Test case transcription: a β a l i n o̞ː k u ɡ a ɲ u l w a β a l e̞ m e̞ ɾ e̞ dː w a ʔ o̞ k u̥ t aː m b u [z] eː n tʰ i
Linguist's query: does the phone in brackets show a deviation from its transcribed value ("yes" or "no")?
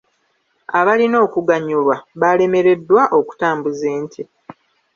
no